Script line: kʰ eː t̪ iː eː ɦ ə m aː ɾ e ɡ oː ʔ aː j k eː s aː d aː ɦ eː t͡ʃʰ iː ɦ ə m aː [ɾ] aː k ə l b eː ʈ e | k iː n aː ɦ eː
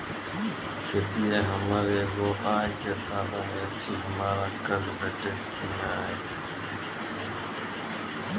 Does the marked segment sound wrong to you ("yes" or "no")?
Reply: no